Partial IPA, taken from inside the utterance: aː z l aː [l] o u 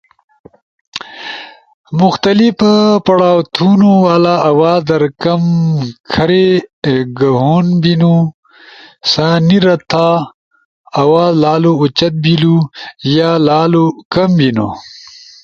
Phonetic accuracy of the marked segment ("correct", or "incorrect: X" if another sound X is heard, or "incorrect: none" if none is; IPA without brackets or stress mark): correct